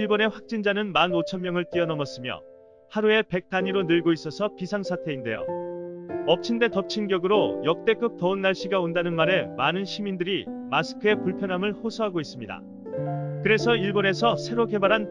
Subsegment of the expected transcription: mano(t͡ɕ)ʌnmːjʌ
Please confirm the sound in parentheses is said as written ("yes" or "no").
no